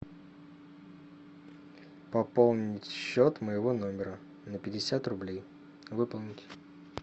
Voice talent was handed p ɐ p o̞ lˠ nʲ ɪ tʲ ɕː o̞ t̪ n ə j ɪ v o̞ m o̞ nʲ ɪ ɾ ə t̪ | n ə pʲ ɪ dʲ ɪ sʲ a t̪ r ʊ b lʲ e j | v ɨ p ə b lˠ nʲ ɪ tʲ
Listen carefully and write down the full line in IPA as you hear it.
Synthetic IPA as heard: p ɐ p o̞ lˠ nʲ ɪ tʲ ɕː o̞ t̪ m ə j ɪ v o̞ n o̞ mʲ ɪ ɾ ə | n ə pʲ ɪ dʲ ɪ sʲ a t̪ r ʊ b lʲ e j | v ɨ p ə lˠ nʲ ɪ tʲ